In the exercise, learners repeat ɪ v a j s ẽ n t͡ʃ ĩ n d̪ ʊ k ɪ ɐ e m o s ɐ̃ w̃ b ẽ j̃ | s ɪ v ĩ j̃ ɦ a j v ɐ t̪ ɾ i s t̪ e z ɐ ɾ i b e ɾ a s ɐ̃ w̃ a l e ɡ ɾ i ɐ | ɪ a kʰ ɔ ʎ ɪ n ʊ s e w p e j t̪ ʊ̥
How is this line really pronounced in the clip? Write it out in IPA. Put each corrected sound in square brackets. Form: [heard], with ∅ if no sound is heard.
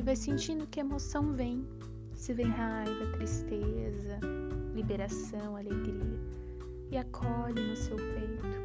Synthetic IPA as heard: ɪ v a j s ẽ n t͡ʃ ĩ n d̪ ʊ k ɪ ɐ e m o s ɐ̃ w̃ [v] ẽ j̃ | s ɪ v [ẽ] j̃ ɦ a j v ɐ t̪ ɾ i s t̪ e z ɐ [l] i b e ɾ a s ɐ̃ w̃ a l e ɡ ɾ i ɐ | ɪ a kʰ ɔ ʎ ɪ n ʊ s e w p e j t̪ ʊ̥